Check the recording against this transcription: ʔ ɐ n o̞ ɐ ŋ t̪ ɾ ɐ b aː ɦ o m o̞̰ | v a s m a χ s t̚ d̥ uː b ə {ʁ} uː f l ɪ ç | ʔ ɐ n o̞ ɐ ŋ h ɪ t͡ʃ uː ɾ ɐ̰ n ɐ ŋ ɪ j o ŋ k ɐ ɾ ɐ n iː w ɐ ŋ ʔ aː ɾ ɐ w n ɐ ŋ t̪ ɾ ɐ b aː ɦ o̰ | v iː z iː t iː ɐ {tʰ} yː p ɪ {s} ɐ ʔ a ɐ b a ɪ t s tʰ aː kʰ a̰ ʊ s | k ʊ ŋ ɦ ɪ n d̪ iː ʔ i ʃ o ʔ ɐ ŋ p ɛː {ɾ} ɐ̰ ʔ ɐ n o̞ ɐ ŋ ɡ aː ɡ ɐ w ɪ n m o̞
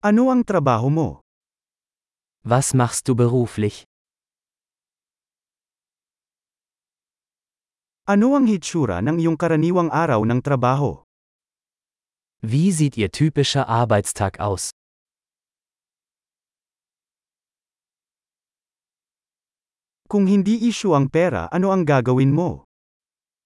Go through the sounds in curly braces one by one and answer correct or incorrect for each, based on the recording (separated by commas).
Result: correct, correct, incorrect, correct